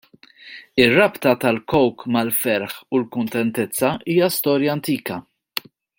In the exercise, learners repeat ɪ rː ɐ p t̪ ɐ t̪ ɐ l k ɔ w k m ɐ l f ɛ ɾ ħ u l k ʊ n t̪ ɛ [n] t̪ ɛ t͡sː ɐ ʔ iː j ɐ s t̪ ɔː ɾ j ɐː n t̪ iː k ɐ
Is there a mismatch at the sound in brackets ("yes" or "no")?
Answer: no